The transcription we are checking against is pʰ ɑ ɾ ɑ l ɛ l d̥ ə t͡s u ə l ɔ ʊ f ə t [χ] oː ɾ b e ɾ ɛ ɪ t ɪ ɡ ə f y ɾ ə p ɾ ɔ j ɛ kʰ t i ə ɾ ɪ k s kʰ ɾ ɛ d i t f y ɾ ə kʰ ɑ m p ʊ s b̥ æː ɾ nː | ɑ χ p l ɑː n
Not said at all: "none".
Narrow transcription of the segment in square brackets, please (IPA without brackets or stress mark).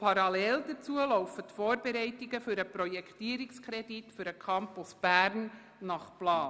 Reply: f